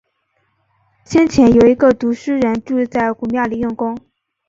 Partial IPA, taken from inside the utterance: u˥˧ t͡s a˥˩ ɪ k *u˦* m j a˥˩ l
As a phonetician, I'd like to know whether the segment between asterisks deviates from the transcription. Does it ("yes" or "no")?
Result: yes